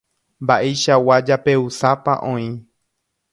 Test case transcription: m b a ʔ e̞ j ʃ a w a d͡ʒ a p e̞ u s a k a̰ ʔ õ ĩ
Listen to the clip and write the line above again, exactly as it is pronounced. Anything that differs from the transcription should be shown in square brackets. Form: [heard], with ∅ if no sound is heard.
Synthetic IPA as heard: m b a ʔ e̞ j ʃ a w a d͡ʒ a p e̞ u s a [p] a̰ ʔ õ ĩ